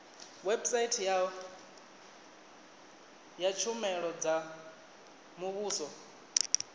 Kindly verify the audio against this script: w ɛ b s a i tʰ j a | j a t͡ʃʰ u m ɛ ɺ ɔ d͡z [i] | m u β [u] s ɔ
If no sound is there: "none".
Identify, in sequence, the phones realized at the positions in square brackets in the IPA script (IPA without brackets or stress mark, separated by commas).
a, uː